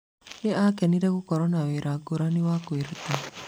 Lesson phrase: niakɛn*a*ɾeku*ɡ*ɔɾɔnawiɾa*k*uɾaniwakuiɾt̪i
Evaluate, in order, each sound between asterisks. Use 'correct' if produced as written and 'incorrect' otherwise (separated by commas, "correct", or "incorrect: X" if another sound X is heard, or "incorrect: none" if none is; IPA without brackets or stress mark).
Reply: incorrect: i, incorrect: k, incorrect: ɡ